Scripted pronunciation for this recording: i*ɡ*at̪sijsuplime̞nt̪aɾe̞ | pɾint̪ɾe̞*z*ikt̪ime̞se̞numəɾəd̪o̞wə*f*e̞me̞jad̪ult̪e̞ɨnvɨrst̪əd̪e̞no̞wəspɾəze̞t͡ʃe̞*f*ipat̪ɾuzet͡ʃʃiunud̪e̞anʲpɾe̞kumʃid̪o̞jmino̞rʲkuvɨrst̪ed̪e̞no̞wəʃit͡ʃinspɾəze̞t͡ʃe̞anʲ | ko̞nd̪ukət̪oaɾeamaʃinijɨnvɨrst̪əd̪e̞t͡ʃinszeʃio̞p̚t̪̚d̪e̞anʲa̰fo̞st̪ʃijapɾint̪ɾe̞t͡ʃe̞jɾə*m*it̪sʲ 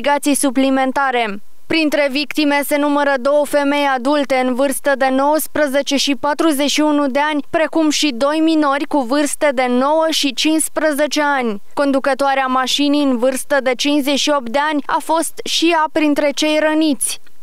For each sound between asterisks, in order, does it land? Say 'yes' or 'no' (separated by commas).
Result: yes, no, yes, no, no